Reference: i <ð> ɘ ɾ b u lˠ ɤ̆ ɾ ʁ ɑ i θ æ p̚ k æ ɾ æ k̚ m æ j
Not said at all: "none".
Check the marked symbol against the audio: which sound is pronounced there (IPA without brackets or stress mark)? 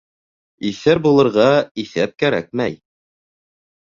θ